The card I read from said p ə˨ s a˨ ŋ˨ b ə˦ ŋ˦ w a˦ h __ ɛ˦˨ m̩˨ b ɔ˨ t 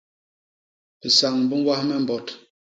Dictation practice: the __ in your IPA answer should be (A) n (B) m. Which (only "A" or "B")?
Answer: B